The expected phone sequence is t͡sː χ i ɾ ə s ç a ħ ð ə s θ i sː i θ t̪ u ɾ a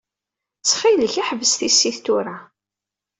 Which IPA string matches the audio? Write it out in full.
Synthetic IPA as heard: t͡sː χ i l ə ç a ħ v ə s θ i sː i θ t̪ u ɾ a